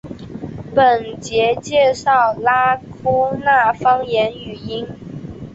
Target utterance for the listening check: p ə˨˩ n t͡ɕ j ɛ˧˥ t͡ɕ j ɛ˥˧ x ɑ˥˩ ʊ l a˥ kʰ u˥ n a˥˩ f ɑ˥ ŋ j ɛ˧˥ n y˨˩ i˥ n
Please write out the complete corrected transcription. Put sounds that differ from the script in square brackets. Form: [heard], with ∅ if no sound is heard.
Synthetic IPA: p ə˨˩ n t͡ɕ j ɛ˧˥ t͡ɕ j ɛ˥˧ [ʂ] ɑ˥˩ ʊ l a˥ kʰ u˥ n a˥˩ f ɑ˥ ŋ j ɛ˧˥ n y˨˩ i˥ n